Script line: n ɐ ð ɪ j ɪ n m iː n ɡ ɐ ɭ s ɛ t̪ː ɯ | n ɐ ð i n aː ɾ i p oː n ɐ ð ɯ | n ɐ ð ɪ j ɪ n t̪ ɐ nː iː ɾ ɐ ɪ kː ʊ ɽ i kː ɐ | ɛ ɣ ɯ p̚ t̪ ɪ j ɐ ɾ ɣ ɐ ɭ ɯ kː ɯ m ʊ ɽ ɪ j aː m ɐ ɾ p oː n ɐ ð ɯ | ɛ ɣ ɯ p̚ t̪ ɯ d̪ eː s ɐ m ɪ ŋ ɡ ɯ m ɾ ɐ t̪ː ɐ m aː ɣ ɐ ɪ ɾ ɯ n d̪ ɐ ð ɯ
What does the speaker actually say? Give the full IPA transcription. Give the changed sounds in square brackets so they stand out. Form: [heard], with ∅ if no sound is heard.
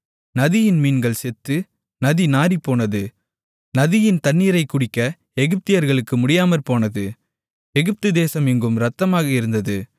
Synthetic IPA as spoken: n ɐ ð ɪ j ɪ n m iː n ɡ ɐ ɭ s ɛ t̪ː ɯ | n ɐ ð i n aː ɾ i p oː n ɐ ð ɯ | n ɐ ð ɪ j ɪ n t̪ ɐ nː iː ɾ ɐ ɪ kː ʊ ɽ [ɪ] kː ɐ | ɛ ɣ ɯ p̚ t̪ ɪ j ɐ ɾ ɣ ɐ ɭ ɯ kː ɯ m ʊ ɽ ɪ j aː m ɐ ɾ p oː n ɐ ð ɯ | ɛ ɣ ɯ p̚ t̪ ɯ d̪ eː s ɐ m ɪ ŋ ɡ ɯ m ɾ ɐ t̪ː ɐ m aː ɣ ɐ ɪ ɾ ɯ n d̪ ɐ ð ɯ